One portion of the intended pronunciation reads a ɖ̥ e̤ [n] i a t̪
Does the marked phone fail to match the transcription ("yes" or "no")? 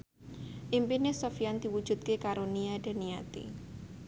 no